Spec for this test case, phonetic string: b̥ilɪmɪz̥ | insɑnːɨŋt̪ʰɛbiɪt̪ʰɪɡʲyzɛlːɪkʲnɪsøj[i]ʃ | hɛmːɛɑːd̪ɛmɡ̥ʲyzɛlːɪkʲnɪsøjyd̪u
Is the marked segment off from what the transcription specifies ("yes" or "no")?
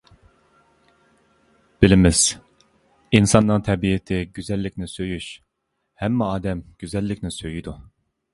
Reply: yes